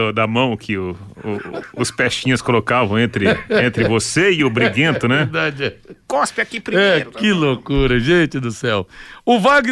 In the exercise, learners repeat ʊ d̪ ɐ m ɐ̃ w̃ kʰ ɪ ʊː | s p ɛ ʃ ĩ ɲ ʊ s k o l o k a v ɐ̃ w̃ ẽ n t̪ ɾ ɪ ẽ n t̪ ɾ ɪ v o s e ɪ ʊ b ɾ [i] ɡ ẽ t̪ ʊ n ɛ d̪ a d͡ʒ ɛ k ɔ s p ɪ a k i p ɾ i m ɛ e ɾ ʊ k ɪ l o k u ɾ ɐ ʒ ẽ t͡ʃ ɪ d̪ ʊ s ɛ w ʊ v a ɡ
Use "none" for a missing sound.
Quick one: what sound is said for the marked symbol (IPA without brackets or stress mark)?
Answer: i